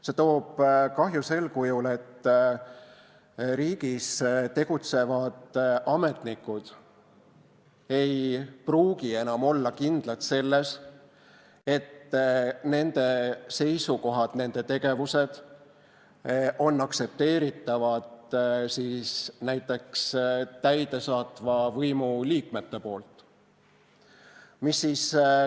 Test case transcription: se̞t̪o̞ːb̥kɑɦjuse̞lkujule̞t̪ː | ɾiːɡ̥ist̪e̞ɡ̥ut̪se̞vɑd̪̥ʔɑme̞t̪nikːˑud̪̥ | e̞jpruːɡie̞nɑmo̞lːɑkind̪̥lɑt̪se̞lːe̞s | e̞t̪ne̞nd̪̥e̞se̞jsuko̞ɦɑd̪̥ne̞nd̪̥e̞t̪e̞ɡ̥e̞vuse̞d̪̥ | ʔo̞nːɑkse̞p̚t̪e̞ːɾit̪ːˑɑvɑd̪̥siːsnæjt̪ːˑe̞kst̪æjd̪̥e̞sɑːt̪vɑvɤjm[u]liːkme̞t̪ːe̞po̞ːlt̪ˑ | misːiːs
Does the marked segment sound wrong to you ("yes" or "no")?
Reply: no